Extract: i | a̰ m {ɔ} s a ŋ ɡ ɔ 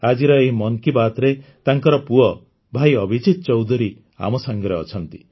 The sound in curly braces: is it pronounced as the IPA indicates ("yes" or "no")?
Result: yes